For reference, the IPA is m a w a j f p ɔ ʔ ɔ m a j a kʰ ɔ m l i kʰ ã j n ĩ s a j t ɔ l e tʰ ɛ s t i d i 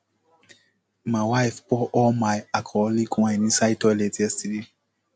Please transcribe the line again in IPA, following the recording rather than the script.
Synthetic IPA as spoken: m a w a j f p ɔ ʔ ɔ m a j a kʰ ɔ l i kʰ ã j n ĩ s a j t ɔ l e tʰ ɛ s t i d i